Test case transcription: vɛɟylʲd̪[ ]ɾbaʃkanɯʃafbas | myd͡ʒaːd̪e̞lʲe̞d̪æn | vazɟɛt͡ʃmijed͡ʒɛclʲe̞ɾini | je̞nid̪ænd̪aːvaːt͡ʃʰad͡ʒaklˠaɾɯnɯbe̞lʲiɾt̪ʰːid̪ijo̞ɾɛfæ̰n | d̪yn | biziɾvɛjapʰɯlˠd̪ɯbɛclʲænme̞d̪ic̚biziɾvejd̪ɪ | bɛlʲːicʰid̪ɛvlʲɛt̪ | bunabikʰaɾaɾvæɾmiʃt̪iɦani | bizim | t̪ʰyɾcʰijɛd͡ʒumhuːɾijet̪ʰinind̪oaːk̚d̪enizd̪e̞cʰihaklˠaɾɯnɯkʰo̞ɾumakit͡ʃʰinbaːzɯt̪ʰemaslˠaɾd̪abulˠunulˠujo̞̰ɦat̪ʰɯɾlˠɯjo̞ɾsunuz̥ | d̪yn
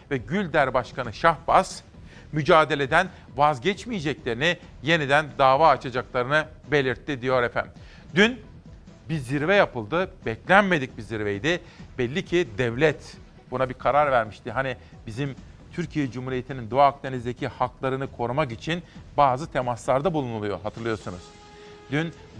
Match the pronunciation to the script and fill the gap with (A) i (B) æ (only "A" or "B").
B